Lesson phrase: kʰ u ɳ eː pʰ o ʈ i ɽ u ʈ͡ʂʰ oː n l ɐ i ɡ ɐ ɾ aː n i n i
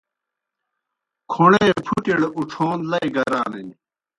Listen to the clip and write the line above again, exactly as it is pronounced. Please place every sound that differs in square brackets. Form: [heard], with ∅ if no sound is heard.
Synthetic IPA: kʰ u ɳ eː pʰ [u] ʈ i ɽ u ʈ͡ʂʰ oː n l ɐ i ɡ ɐ ɾ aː n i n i